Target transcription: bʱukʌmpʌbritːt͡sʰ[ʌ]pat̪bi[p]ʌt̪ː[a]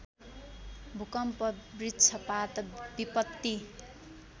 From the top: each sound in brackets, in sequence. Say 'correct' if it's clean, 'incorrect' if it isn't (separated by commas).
correct, correct, incorrect